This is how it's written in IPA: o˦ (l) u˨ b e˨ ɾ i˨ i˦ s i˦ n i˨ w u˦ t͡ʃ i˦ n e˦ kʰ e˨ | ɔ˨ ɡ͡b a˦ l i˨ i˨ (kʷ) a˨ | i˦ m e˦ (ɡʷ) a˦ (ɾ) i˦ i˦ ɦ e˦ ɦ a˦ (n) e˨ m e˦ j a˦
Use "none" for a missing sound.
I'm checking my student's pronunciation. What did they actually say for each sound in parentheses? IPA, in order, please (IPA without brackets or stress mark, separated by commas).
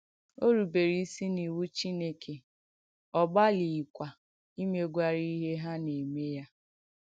ɾ, kʷ, ɡʷ, ɾ, n